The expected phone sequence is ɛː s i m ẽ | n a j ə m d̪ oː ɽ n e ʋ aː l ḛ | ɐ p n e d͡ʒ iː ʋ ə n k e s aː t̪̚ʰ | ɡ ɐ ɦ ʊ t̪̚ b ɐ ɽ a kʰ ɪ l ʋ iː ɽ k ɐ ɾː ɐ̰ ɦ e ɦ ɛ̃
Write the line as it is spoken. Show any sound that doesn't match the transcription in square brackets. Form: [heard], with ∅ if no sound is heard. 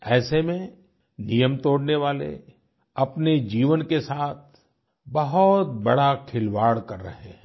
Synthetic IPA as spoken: ɛː s [e] m ẽ | n [i] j ə m [t̪] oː ɽ n e ʋ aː l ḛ | ɐ p n e d͡ʒ iː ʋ ə n k e s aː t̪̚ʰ | [b] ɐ ɦ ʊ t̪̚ b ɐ ɽ a kʰ ɪ l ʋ [aː] ɽ k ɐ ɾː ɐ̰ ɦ e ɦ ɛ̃